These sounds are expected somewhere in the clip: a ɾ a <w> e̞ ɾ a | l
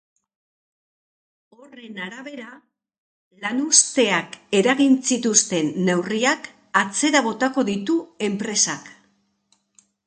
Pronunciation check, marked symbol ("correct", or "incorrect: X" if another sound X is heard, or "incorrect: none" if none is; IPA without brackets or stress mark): incorrect: β